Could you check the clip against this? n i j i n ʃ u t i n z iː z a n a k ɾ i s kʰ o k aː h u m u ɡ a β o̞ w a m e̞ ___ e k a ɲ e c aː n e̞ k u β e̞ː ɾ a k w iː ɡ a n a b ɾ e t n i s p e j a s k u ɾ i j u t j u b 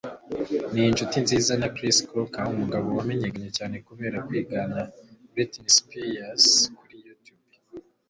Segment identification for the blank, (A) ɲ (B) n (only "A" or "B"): A